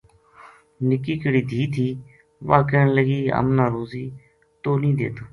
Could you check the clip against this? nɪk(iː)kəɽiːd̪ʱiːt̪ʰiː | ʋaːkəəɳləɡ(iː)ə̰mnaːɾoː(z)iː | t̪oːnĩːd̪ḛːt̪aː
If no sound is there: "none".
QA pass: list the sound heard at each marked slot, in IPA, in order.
iː, iː, z

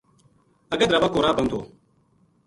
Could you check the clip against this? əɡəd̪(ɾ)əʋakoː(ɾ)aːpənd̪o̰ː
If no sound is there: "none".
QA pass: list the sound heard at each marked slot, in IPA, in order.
ɾ, ɾ

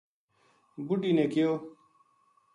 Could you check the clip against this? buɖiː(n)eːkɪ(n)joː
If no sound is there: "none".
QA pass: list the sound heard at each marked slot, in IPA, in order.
n, none

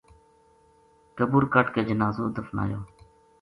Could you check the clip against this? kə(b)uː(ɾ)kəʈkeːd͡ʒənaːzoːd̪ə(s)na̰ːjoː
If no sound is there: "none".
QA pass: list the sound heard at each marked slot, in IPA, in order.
b, ɾ, f

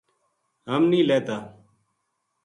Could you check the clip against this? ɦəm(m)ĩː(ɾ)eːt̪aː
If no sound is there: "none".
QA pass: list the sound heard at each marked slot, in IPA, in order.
n, l

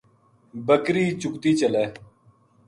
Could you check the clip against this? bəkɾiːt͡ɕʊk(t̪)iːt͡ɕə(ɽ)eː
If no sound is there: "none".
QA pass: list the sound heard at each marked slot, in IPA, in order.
t̪, l

